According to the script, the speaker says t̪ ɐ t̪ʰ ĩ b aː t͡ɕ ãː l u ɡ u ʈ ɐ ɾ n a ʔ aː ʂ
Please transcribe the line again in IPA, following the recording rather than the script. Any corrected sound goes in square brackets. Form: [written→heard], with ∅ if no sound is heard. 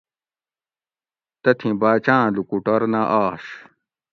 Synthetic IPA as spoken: t̪ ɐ t̪ʰ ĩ b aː t͡ɕ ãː l u [ɡ→k] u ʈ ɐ ɾ n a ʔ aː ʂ